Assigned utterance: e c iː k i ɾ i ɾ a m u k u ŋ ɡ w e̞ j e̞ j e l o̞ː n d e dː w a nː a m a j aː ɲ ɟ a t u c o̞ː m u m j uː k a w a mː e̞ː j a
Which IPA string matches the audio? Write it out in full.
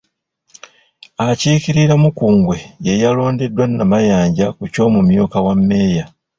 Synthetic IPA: a c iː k i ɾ i ɾ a m u k uː ŋ ɡ w e̞ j e̞ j a l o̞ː n d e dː w a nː a m a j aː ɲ ɟ a k u c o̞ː m u m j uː k a w a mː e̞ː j a